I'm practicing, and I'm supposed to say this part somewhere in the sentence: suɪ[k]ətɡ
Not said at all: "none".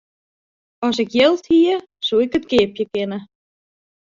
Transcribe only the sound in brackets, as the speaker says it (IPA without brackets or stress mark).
k